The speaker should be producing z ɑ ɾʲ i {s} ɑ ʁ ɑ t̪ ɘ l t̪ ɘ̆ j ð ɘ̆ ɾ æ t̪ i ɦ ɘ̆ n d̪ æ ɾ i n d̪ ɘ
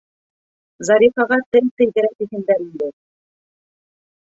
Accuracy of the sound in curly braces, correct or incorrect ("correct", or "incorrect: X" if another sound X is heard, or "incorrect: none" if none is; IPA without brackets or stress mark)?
incorrect: f